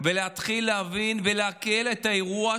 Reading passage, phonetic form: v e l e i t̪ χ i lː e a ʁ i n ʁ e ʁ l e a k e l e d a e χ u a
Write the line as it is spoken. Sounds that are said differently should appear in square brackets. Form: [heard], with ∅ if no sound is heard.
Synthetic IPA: v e l e [a] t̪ χ i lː e a [v] i n [v] e [∅] l e a k e l e [t] a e [ʁ] u a